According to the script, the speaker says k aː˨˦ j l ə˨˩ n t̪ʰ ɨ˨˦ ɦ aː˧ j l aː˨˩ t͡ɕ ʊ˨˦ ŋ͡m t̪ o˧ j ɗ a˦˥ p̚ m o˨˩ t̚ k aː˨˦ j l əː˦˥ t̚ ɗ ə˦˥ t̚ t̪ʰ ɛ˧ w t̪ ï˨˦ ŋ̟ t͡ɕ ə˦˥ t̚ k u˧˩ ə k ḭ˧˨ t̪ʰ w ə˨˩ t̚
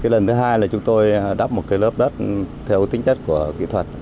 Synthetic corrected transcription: k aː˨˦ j l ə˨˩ n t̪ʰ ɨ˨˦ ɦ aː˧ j l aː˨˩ t͡ɕ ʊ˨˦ ŋ͡m t̪ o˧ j ɗ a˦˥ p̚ m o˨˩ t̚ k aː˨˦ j l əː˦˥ p̚ ɗ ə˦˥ t̚ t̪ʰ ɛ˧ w t̪ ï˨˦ ŋ̟ t͡ɕ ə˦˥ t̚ k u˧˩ ə k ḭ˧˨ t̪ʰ w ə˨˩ t̚

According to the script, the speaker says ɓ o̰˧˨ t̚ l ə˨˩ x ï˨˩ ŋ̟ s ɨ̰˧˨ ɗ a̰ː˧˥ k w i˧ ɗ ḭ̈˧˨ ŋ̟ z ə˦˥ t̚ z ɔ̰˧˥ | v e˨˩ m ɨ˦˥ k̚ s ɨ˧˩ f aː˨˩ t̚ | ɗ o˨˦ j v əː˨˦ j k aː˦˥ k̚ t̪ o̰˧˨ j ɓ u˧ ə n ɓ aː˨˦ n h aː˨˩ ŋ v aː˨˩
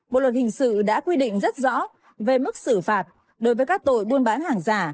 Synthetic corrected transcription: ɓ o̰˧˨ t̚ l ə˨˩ h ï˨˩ ŋ̟ s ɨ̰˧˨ ɗ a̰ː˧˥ k w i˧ ɗ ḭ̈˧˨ ŋ̟ z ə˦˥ t̚ z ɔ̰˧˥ | v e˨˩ m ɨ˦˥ k̚ s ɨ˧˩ f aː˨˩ t̚ | ɗ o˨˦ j v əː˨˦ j k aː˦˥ k̚ t̪ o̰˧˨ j ɓ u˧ ə n ɓ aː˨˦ n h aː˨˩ ŋ z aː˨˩

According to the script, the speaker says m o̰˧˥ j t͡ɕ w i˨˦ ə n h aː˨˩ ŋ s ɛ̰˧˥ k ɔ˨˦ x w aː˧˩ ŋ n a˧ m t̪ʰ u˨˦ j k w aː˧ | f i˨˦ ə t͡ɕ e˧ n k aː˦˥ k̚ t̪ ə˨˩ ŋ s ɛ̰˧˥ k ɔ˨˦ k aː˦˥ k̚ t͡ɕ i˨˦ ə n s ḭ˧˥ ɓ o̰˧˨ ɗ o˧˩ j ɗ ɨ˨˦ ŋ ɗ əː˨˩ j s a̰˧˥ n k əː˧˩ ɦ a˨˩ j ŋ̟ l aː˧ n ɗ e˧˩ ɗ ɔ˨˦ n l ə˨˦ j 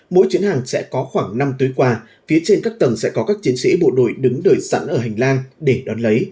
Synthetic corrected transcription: m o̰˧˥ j t͡ɕ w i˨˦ ə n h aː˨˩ ŋ s ɛ̰˧˥ k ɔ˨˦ x w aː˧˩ ŋ n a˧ m t̪ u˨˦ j k w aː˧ | f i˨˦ ə t͡ɕ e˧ n k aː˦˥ k̚ t̪ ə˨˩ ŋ s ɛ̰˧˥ k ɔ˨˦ k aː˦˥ k̚ t͡ɕ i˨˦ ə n s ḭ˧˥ ɓ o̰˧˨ ɗ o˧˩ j ɗ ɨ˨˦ ŋ ɗ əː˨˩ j s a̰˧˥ n ʔ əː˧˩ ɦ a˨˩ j ŋ̟ l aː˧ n ɗ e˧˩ ɗ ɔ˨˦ n l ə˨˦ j

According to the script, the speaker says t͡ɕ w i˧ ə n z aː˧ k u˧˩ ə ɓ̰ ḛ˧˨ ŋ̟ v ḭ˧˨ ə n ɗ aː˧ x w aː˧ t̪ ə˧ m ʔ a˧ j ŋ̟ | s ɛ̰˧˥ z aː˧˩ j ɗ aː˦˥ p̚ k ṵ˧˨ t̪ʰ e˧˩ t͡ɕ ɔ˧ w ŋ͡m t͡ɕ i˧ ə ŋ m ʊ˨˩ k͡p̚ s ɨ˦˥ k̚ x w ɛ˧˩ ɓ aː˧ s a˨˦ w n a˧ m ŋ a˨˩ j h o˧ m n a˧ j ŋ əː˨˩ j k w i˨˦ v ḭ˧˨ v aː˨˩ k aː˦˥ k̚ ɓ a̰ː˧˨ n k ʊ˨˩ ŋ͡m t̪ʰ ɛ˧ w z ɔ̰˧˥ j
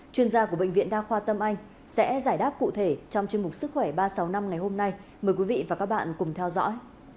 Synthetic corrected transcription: t͡ɕ w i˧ ə n z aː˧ k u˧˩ ə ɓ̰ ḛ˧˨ ŋ̟ v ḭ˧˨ ə n ɗ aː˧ x w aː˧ t̪ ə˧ m ʔ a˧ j ŋ̟ | s ɛ̰˧˥ z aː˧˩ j ɗ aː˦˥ p̚ k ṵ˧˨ t̪ʰ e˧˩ t͡ɕ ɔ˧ w ŋ͡m t͡ɕ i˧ ə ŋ m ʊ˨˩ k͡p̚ s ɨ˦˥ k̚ x w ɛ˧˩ ɓ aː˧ s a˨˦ w n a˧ m ŋ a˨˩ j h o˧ m n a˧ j m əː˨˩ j k w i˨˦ v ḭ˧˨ v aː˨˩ k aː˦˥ k̚ ɓ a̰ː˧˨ n k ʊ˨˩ ŋ͡m t̪ʰ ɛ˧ w z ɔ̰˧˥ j

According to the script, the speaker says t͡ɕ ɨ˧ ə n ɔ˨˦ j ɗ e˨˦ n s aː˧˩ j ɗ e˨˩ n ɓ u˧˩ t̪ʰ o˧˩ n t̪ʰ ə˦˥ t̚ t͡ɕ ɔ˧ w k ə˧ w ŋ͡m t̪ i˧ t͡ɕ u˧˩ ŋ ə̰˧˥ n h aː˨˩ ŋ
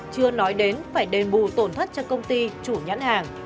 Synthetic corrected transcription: t͡ɕ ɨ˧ ə n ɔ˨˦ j ɗ e˨˦ n f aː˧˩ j ɗ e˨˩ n ɓ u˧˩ t̪ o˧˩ n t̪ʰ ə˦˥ t̚ t͡ɕ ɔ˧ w k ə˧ w ŋ͡m t̪ i˧ t͡ɕ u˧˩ ɲ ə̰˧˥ n h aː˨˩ ŋ

